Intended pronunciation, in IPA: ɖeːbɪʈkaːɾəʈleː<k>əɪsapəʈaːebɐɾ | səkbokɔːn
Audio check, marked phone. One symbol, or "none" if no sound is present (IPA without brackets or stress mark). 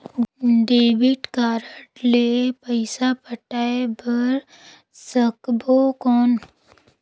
p